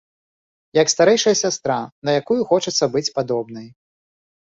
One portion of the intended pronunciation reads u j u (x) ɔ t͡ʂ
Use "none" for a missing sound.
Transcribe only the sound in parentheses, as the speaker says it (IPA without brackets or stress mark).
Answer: x